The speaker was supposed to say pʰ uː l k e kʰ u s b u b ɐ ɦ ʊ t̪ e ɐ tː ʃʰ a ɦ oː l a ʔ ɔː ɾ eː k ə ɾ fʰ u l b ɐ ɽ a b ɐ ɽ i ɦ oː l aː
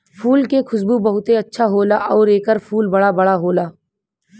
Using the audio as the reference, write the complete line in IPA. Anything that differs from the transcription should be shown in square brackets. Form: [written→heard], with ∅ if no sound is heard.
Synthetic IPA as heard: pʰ uː l k e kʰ [u→ʊ] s b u b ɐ ɦ ʊ t̪ e ɐ tː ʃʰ a ɦ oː l a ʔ ɔː ɾ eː k ə ɾ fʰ [u→uː] l b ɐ ɽ a b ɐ ɽ [i→a] ɦ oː l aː

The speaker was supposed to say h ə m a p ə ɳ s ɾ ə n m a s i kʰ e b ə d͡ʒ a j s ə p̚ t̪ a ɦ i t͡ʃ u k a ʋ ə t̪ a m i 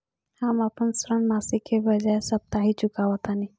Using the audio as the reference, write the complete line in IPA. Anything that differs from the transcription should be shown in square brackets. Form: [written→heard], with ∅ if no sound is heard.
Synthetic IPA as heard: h [ə→a] m a p ə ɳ s ɾ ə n m a s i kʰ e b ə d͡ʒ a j s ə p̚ t̪ a ɦ i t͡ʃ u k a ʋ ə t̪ a [m→n] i

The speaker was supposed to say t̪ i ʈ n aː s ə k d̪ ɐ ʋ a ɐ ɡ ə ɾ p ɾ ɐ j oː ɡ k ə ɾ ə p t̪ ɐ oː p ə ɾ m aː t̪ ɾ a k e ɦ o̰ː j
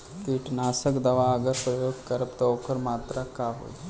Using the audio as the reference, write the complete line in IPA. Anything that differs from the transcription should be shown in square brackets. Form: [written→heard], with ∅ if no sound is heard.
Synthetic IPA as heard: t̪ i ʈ n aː s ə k d̪ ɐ ʋ a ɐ ɡ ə ɾ p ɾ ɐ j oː ɡ k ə ɾ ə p t̪ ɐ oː [p→k] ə ɾ m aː t̪ ɾ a k [e→a] ɦ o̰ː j

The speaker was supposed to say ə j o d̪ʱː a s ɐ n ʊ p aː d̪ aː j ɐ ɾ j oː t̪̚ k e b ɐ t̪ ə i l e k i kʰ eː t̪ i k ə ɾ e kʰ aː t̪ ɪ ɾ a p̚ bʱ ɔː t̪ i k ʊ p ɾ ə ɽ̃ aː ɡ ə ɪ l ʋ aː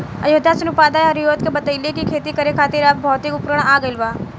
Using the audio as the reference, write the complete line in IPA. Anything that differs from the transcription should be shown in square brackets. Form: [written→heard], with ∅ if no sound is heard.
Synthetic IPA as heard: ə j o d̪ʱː a s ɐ n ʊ p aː d̪ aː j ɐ ɾ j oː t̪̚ k e b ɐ t̪ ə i l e k i kʰ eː t̪ i k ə ɾ e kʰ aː t̪ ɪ ɾ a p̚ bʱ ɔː t̪ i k ʊ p ɾ ə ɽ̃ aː ɡ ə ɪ l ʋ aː

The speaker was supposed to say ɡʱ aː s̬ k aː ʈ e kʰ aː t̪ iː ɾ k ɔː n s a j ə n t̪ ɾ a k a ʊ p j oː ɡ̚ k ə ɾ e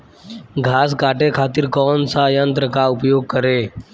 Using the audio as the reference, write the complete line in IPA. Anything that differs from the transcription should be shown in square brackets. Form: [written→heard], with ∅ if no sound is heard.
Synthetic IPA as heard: ɡʱ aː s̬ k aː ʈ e kʰ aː t̪ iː ɾ k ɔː n s a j ə n t̪ ɾ [a→ə] k a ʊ p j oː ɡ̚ k ə ɾ e

